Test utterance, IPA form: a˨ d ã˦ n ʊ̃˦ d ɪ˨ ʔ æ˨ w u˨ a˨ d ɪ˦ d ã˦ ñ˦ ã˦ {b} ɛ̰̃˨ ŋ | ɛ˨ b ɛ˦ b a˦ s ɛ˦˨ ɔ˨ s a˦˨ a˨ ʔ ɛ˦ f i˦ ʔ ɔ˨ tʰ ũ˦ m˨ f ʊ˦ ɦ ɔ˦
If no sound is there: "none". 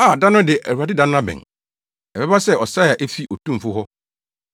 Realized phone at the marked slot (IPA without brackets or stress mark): b